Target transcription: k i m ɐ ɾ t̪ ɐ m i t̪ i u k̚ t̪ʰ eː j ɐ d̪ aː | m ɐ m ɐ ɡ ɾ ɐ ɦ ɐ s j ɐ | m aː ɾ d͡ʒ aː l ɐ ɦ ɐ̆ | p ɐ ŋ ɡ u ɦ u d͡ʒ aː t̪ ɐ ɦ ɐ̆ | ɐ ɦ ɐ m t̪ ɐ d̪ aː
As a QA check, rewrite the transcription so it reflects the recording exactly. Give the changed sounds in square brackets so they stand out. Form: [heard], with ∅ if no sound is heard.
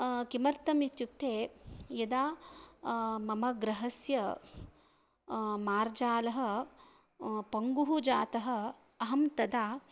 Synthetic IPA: k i m ɐ ɾ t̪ ɐ m i t̪ [j] u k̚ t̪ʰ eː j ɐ d̪ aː | m ɐ m ɐ ɡ ɾ ɐ ɦ ɐ s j ɐ | m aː ɾ d͡ʒ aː l ɐ ɦ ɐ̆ | p ɐ ŋ ɡ u ɦ u d͡ʒ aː t̪ ɐ ɦ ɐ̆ | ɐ ɦ ɐ m t̪ ɐ d̪ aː